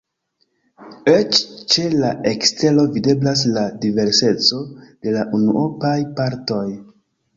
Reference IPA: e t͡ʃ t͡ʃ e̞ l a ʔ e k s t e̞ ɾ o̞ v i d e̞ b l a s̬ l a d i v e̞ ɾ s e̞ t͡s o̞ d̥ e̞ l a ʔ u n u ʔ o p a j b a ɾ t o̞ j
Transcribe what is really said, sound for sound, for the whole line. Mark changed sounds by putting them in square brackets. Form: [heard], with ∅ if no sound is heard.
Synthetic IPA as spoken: e t͡ʃ t͡ʃ e̞ l a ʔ e k s t e̞ [l] o̞ v i d e̞ b l a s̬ l a d i v e̞ ɾ s e̞ t͡s o̞ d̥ e̞ l a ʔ u n u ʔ o p a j [p] a ɾ t o̞ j